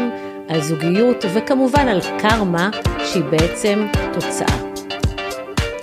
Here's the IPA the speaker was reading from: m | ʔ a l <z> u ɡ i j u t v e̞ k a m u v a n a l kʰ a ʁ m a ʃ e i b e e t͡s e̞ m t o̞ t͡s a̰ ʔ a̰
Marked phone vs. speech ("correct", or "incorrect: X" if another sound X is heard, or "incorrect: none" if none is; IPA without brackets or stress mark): correct